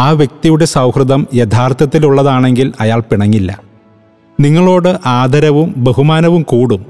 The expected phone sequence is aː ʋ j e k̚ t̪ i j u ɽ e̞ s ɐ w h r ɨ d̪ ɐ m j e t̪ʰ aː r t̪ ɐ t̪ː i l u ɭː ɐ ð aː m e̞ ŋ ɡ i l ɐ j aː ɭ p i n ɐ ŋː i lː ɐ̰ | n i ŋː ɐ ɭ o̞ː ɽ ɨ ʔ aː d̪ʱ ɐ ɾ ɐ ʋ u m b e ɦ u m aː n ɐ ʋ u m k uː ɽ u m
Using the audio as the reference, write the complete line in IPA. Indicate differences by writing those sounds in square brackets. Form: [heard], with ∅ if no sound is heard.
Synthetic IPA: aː ʋ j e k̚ t̪ i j u ɽ e̞ s ɐ w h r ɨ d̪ ɐ m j e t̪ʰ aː r t̪ ɐ t̪ː i l u ɭː ɐ ð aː [ɳ] e̞ ŋ ɡ i l ɐ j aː ɭ p i [ɳ] ɐ ŋː i lː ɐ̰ | n i ŋː ɐ ɭ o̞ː ɽ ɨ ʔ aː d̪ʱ ɐ ɾ ɐ ʋ u m b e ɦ u m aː n ɐ ʋ u m k uː ɽ u m